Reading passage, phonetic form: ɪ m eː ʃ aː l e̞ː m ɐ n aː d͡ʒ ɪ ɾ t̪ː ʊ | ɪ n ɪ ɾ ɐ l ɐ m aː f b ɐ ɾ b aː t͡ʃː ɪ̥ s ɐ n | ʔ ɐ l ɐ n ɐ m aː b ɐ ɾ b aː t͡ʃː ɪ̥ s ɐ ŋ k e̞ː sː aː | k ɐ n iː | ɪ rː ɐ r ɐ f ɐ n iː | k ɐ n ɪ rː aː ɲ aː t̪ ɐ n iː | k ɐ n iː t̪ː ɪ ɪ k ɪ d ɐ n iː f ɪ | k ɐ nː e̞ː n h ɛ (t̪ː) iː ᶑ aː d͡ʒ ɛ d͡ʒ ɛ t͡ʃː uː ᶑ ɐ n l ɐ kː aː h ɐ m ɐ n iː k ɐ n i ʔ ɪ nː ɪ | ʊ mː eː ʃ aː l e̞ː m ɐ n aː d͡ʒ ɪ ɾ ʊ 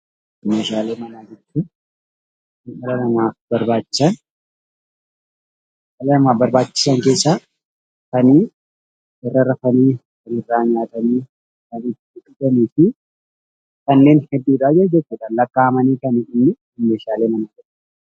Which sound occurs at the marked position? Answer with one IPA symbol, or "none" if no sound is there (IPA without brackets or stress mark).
d̪ː